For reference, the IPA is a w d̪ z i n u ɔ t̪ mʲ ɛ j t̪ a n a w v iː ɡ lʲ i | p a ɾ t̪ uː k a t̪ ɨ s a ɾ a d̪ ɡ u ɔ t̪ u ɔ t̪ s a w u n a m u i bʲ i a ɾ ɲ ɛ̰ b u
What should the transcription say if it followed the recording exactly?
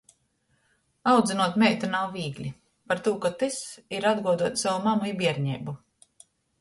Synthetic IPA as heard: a w d̪ z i n u ɔ t̪ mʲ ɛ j t̪ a n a w v iː ɡ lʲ i | p a ɾ t̪ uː k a t̪ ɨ s i ɾ a d̪ ɡ u ɔ d̪ u ɔ t̪ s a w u m a m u i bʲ i ɛ ɾ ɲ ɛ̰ b u